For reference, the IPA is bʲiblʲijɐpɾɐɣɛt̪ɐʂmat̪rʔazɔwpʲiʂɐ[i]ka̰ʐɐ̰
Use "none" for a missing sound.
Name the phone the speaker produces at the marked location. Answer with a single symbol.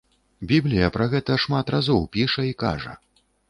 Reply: i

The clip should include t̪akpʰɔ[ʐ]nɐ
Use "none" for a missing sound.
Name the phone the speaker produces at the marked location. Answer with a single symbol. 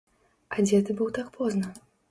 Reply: z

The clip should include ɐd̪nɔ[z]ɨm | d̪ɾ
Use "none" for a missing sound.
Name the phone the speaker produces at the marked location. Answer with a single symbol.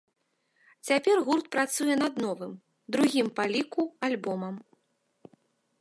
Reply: v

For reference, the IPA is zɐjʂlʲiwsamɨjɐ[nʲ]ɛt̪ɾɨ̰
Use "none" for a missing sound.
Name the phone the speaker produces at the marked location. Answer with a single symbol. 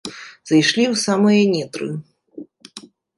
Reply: nʲ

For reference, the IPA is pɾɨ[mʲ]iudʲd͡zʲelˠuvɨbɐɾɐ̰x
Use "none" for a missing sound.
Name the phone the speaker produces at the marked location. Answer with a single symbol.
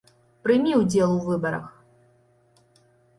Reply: mʲ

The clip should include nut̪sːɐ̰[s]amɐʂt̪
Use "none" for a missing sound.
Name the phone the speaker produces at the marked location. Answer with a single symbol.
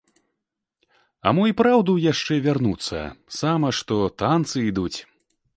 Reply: s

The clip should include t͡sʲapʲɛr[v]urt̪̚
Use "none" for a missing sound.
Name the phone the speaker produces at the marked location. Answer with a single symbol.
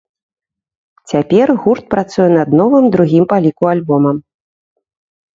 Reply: ɣ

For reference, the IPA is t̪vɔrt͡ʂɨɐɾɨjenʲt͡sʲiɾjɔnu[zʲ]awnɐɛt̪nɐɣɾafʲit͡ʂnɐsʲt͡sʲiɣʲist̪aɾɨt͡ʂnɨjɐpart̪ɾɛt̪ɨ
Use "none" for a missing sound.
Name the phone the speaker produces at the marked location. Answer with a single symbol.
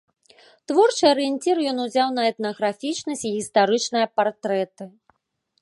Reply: zʲ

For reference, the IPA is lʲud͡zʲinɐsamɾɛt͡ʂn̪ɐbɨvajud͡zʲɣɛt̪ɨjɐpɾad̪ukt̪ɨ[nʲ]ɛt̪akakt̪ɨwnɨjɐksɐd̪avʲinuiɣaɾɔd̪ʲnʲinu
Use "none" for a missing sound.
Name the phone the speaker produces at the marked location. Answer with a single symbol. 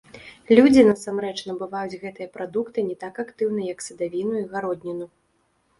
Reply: nʲ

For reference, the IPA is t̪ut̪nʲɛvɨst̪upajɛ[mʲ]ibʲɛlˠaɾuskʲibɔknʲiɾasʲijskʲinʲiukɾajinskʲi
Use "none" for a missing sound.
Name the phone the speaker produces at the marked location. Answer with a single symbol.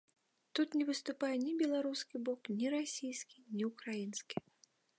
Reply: nʲ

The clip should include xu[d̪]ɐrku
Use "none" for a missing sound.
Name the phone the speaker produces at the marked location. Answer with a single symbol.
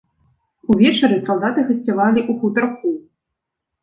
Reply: t̪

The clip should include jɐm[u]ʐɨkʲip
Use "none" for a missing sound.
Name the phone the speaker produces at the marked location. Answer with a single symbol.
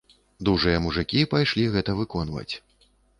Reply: u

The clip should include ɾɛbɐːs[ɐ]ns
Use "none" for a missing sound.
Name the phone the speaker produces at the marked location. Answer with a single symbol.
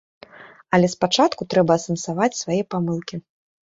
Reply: ɐ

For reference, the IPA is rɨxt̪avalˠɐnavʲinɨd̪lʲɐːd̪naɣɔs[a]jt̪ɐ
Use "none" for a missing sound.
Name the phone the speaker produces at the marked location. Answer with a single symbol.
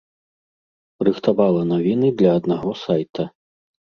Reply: a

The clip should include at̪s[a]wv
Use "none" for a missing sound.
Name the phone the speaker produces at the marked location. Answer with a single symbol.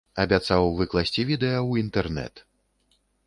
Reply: a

